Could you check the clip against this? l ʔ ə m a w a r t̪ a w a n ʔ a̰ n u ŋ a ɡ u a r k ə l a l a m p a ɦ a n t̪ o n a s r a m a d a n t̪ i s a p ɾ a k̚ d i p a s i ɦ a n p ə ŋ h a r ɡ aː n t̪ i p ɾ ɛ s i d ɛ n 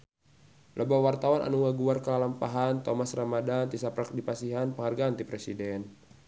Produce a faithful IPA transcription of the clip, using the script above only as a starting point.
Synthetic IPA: l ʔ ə b a w a r t̪ a w a n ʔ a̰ n u ŋ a ɡ u a r k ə l a l a m p a ɦ a n t̪ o m a s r a m a d a n t̪ i s a p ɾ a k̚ d i p a s i ɦ a n p ə ŋ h a r ɡ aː n t̪ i p ɾ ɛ s i d ɛ n